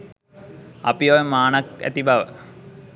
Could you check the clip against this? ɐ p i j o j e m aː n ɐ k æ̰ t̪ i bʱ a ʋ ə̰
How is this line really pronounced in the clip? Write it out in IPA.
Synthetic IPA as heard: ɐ p i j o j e m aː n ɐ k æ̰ t̪ i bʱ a ʋ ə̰